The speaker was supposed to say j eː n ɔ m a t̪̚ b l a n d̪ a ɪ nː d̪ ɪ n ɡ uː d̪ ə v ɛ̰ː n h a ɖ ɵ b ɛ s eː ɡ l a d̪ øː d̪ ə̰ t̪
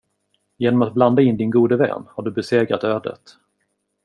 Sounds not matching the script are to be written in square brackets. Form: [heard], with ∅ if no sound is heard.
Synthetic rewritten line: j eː n ɔ m a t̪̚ b l a n d̪ a ɪ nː d̪ ɪ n ɡ uː d̪ ə v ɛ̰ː n h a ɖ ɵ b ɛ s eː ɡ [ɾ] a [t̪] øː d̪ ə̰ t̪